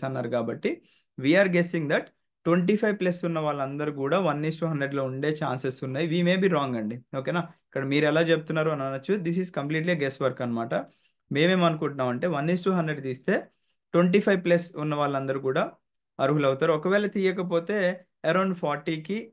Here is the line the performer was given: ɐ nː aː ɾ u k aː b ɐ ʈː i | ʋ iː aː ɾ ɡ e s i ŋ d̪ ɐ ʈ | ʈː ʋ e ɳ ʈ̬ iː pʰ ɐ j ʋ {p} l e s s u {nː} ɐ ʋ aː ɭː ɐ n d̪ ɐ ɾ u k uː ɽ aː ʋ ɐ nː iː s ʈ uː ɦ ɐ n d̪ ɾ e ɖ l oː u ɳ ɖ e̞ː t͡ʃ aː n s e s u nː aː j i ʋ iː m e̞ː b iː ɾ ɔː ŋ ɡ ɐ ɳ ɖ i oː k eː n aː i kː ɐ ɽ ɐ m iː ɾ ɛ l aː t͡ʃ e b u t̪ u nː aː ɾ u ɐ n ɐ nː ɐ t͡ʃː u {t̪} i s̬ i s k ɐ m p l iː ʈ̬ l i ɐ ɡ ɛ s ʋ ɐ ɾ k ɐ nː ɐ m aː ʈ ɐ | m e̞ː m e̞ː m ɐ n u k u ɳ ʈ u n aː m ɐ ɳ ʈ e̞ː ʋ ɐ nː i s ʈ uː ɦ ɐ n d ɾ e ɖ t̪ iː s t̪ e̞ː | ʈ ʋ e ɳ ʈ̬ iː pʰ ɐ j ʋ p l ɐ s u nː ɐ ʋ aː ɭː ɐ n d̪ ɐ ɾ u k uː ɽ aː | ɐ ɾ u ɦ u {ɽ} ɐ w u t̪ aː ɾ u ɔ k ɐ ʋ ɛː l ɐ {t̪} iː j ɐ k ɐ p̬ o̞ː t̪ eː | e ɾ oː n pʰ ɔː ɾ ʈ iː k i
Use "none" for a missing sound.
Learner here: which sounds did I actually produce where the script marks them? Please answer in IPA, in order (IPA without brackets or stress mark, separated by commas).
p, nː, d̪, l, t̪